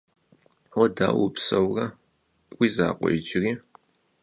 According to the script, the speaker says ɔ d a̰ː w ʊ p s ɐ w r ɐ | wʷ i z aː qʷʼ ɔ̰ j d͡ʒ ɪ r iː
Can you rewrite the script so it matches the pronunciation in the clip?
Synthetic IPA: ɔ d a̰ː w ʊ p s ɐ w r ɐ | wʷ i z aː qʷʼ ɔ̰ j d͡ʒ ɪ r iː